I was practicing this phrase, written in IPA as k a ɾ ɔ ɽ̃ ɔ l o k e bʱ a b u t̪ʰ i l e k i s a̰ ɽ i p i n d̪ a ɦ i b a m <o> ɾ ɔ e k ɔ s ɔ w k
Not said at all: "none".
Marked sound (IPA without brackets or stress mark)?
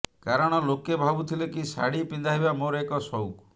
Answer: o